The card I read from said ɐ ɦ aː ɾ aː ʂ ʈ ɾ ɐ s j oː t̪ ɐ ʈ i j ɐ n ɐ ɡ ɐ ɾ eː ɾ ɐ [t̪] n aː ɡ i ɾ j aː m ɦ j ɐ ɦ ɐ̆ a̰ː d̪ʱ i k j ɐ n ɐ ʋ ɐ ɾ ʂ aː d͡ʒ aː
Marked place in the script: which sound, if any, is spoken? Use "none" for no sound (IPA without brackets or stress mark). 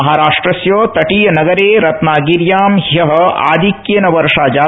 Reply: t̪